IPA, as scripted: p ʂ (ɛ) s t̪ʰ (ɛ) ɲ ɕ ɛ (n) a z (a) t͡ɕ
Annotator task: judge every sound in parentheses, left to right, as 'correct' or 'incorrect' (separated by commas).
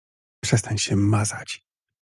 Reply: correct, incorrect, incorrect, correct